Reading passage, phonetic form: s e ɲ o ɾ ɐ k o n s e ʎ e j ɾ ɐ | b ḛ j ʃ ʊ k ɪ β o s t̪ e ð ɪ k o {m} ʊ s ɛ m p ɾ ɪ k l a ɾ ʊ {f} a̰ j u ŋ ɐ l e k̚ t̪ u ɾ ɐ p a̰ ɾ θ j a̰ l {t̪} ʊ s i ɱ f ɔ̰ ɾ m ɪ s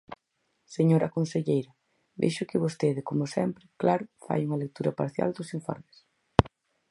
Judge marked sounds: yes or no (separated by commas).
yes, yes, no